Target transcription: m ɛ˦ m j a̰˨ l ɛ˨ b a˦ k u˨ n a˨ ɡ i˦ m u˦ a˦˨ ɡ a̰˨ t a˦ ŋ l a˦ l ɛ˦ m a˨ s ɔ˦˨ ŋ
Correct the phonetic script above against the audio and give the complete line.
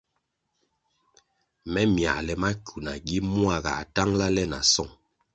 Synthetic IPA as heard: m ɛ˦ m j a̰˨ l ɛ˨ m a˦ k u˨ n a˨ ɡ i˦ m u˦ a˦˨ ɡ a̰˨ t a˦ ŋ l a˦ l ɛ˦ n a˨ s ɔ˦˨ ŋ